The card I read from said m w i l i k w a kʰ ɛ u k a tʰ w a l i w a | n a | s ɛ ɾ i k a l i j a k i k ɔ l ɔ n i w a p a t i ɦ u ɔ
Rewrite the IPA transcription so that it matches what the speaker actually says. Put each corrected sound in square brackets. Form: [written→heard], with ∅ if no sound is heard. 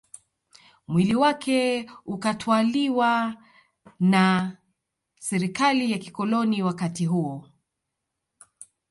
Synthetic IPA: m w i l i [k→∅] w a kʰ ɛ u k a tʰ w a l i w a | n a | s ɛ ɾ i k a l i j a k i k ɔ l ɔ n i w a [p→k] a t i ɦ u ɔ